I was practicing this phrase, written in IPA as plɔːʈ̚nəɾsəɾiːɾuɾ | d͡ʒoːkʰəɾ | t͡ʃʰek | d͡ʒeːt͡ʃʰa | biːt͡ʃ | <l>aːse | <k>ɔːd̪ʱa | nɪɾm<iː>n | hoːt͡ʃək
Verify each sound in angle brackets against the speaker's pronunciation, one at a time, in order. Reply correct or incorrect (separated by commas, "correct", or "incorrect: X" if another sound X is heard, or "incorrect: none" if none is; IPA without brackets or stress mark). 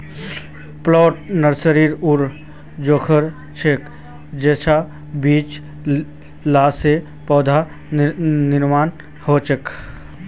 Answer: correct, incorrect: p, incorrect: aː